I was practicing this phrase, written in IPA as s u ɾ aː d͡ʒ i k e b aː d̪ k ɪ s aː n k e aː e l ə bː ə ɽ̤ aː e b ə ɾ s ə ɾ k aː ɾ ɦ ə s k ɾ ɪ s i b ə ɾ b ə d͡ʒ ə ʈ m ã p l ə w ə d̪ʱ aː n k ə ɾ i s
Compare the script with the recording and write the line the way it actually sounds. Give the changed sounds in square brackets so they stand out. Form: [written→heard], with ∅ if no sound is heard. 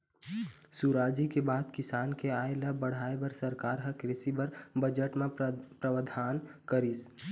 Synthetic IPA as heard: s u ɾ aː d͡ʒ i k e b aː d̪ k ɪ s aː n k e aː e l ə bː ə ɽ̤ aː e b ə ɾ s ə ɾ k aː ɾ ɦ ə [s→∅] k ɾ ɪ s i b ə ɾ b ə d͡ʒ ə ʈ m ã p [l→ɾ] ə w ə d̪ʱ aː n k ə ɾ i s